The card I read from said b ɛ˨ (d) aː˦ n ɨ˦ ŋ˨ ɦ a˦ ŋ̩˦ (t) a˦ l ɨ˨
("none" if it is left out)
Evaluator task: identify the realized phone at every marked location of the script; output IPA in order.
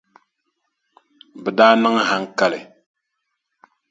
d, k

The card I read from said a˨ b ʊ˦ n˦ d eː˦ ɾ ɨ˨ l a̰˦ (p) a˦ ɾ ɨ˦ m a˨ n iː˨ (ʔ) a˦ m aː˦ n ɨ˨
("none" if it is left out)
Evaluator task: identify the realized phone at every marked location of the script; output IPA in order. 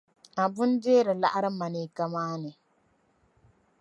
ʔ, k

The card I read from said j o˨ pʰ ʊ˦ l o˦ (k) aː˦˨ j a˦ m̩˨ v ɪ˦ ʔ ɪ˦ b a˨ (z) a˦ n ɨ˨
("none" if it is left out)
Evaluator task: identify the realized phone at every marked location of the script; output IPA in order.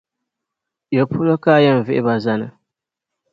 k, z

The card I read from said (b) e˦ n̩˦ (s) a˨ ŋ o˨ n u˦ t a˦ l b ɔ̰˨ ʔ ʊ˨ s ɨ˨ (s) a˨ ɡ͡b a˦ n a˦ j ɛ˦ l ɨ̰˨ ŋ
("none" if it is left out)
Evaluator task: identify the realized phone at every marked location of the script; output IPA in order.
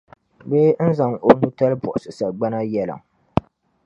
b, z, s

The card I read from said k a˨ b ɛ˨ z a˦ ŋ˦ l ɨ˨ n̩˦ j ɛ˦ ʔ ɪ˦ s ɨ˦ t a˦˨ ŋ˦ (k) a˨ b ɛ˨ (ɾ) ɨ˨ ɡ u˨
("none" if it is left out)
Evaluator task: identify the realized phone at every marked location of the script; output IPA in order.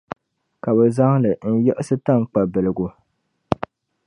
k͡p, l

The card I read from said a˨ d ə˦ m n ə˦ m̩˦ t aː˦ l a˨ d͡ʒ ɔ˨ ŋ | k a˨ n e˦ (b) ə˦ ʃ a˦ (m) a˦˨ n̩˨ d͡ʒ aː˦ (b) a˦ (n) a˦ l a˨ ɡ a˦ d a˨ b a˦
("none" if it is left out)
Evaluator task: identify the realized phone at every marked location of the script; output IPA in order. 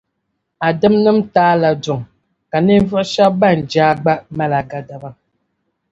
v, b, ɡ͡b, m

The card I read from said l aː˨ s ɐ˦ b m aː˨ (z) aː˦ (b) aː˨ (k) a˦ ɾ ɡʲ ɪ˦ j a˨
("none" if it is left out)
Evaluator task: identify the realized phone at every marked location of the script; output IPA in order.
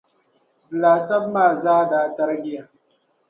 z, d, t

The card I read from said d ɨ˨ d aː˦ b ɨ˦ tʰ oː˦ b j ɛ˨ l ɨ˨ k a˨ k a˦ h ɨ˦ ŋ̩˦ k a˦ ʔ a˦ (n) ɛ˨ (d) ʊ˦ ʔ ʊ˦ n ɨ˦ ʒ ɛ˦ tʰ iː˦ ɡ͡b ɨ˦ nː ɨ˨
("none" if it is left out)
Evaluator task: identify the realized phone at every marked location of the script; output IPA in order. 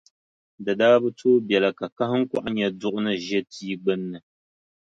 ɲ, d

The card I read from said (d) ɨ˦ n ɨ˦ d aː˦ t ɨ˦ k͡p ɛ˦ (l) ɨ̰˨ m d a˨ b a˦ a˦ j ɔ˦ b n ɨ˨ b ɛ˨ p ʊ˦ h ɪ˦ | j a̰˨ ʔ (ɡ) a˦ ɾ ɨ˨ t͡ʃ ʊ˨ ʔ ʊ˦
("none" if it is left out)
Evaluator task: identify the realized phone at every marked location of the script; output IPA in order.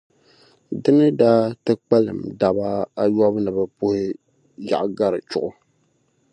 d, l, ɡ

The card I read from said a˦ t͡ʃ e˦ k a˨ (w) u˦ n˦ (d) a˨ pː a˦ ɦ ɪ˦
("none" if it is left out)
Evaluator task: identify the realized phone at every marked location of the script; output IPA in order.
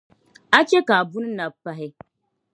b, n

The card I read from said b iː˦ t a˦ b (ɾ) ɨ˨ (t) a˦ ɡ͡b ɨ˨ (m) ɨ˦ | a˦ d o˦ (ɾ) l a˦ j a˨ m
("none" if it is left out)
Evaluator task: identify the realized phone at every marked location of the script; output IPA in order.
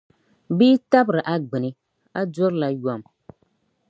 ɾ, ʔ, n, ɾ

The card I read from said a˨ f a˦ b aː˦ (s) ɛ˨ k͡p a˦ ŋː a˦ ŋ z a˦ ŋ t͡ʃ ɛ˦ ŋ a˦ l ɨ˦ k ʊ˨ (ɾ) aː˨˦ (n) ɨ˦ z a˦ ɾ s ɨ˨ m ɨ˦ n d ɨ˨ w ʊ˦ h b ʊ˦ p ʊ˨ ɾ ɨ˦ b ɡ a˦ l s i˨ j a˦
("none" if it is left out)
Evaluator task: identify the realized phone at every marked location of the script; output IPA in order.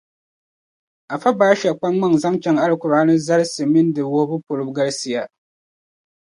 ʃ, ɾ, n

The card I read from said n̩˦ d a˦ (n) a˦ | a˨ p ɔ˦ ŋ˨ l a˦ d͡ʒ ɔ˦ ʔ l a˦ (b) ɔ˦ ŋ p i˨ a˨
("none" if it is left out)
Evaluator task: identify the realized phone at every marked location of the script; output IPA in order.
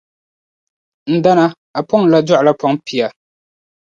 n, p

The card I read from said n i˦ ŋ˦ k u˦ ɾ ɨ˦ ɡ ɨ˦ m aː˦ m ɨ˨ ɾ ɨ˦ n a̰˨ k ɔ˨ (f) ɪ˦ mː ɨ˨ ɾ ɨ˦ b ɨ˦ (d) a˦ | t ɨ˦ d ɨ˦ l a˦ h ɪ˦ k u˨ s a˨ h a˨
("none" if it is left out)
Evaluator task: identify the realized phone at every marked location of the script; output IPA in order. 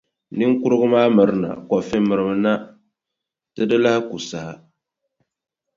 f, n

